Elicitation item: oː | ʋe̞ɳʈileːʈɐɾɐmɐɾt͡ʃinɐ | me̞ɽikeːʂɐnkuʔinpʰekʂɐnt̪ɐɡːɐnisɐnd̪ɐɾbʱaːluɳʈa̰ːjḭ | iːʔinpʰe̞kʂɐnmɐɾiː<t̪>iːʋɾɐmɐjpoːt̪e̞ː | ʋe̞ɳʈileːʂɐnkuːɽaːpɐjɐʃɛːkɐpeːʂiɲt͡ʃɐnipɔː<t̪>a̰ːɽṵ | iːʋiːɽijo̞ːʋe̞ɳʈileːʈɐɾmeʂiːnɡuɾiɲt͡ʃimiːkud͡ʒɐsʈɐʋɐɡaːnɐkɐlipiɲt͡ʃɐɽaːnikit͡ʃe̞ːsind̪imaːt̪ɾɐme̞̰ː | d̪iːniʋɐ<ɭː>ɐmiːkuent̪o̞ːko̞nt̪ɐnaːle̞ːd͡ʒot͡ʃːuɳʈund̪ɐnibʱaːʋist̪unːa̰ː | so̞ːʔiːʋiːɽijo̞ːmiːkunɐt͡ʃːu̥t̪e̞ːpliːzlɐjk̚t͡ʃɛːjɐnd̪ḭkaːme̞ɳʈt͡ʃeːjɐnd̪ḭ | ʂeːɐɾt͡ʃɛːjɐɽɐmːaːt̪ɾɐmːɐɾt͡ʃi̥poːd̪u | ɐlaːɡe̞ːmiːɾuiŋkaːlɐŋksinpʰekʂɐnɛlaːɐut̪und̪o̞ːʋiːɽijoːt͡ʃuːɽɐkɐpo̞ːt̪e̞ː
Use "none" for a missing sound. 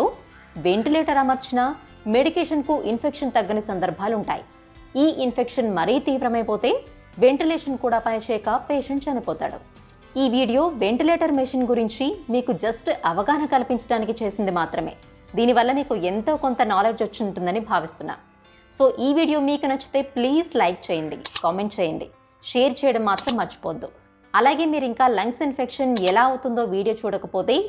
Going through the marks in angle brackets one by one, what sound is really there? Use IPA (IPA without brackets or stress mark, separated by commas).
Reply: t̪, t̪, lː